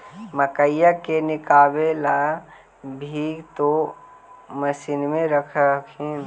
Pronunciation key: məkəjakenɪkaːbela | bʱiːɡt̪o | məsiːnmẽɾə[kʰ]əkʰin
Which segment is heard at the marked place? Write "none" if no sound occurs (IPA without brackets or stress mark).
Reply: kʰ